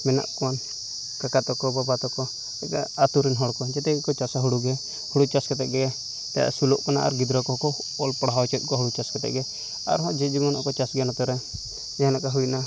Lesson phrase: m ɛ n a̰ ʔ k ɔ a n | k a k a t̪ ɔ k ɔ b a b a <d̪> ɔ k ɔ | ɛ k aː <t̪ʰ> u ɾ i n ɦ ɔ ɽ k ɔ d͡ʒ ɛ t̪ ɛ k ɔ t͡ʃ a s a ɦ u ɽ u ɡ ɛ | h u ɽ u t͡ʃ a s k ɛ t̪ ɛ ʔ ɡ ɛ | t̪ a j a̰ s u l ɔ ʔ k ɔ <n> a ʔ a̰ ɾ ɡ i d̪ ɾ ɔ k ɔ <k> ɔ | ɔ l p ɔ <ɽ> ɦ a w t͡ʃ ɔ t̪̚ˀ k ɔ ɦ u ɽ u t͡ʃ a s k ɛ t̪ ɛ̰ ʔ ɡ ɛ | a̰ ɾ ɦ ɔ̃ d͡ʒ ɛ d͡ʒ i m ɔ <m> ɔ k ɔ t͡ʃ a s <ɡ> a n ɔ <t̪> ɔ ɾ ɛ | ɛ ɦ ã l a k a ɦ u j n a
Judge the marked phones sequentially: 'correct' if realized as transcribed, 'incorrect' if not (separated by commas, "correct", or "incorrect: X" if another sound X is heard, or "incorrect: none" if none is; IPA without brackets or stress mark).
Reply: incorrect: t̪, incorrect: t̪, correct, correct, correct, incorrect: n, correct, correct